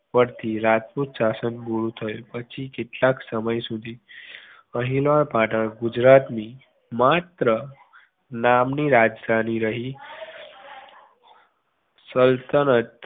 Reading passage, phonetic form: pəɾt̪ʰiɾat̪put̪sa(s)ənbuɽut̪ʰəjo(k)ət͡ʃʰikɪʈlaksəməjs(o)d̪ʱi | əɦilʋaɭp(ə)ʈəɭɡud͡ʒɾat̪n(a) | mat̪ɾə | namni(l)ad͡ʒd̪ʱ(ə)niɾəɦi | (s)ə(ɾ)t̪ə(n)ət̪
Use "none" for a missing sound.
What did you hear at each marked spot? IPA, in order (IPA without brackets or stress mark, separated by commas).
s, p, u, a, i, ɾ, a, s, l, n